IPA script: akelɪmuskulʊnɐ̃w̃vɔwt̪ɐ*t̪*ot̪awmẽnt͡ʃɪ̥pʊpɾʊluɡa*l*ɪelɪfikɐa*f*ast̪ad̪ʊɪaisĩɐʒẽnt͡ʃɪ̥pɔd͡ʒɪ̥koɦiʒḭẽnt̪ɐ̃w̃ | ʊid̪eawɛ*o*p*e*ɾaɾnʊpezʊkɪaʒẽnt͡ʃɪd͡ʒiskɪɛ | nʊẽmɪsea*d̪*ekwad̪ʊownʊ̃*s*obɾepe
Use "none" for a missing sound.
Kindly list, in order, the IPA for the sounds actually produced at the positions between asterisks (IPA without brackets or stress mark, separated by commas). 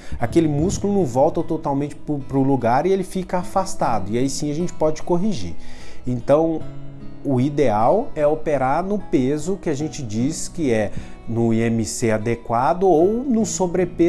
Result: t̪, ɾ, f, o, e, d̪, s